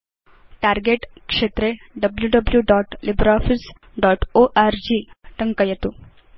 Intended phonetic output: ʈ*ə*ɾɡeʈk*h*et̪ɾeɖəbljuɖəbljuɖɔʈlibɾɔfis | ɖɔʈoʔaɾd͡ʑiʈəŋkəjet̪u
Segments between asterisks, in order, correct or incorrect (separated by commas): incorrect, incorrect